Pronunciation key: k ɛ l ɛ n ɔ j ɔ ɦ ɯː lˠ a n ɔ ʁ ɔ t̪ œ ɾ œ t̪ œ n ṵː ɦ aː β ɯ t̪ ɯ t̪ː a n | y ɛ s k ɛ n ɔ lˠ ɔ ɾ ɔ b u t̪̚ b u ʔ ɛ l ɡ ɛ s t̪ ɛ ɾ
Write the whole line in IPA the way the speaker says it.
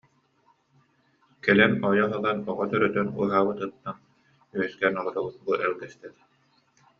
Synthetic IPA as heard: k ɛ l ɛ n ɔ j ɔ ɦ ɯ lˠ a n ɔ ʁ ɔ t̪ œ ɾ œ t̪ œ n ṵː ɦ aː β ɯ t̪ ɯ t̪ː a n | y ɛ s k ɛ n ɔ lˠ ɔ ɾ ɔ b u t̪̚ b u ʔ ɛ l ɡ ɛ s t̪ ɛ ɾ